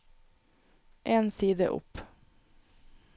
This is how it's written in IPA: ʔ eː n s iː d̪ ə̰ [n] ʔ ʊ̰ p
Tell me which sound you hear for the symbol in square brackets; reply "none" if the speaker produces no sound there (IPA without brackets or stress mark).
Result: none